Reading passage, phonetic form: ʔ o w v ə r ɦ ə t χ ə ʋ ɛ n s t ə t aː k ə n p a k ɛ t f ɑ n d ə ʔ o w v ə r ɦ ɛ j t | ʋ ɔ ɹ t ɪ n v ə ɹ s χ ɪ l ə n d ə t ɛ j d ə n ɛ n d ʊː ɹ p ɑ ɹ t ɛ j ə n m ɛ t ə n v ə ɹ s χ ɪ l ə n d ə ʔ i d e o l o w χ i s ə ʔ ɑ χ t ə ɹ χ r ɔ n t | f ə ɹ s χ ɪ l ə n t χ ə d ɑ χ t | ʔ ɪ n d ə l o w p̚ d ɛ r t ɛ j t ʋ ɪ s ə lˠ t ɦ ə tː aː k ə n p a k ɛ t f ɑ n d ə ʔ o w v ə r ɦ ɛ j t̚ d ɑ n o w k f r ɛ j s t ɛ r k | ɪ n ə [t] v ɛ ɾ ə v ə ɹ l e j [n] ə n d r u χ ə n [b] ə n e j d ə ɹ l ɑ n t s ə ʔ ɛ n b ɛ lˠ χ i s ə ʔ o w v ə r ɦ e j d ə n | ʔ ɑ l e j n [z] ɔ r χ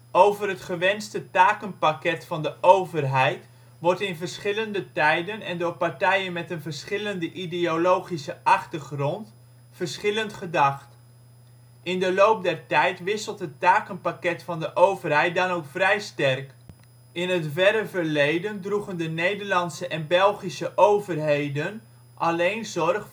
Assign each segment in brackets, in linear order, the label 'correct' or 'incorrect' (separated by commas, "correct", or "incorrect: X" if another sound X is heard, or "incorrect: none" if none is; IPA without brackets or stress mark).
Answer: correct, incorrect: d, incorrect: d, correct